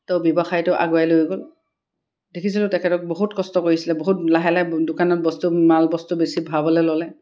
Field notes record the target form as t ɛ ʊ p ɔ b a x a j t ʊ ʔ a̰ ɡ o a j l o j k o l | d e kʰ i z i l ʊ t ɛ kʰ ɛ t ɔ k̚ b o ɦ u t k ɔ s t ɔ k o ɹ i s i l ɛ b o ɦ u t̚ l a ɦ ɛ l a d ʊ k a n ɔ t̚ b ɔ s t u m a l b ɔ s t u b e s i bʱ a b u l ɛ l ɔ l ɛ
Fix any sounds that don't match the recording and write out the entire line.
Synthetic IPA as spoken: t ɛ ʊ b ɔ b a x a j t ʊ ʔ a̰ ɡ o a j l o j ɡ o l | d e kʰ i s i l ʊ t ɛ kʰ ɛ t ɔ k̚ b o ɦ u t k ɔ s t ɔ k o ɹ i s i l ɛ b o ɦ u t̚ l a ɦ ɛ l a d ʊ k a n ɔ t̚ b ɔ s t u m a l b ɔ s t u b e s i bʱ a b ɔ l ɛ l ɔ l ɛ